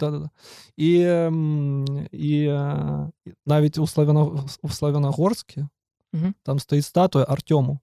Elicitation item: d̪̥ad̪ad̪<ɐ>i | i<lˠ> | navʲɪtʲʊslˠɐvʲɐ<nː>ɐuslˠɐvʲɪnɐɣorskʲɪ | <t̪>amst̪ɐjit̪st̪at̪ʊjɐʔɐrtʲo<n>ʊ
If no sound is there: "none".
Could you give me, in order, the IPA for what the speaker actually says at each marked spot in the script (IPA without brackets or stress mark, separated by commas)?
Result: a, none, n, t̪, m